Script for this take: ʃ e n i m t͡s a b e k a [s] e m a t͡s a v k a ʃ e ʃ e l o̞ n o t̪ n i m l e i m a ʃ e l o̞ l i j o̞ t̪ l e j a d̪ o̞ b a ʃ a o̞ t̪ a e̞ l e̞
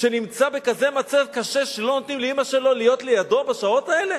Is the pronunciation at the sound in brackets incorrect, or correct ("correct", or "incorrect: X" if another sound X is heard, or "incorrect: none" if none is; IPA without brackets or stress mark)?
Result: incorrect: z